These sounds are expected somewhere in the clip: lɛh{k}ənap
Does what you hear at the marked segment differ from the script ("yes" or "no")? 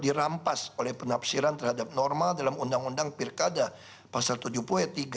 yes